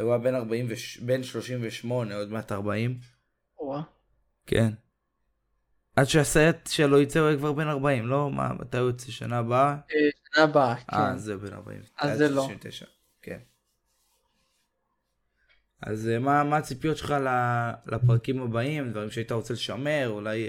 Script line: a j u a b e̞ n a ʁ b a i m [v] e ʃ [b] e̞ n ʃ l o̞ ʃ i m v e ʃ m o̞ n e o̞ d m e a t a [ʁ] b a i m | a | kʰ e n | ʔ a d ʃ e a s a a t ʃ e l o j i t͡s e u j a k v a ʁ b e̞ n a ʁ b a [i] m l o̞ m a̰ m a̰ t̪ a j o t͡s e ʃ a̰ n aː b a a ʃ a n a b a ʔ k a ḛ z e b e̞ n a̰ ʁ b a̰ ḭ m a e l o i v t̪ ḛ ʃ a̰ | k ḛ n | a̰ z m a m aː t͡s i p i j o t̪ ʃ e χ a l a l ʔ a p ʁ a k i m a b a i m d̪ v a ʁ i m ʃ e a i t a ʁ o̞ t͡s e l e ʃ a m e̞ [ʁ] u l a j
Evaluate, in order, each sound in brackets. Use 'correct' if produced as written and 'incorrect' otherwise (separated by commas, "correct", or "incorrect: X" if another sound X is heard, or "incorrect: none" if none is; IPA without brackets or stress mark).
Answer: correct, correct, correct, correct, correct